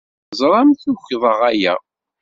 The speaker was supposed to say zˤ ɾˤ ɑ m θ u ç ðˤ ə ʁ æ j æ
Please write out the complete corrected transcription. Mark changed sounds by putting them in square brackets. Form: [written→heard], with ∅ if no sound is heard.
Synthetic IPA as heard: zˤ ɾˤ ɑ m θ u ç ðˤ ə ʁ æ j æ